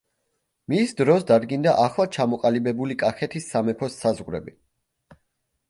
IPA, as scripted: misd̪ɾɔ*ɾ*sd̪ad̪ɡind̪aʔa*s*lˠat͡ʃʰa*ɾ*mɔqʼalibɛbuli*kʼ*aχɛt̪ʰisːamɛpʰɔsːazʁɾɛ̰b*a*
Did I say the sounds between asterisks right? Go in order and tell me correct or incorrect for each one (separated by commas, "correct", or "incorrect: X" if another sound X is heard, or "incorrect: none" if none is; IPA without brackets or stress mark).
incorrect: none, incorrect: χ, incorrect: none, correct, incorrect: i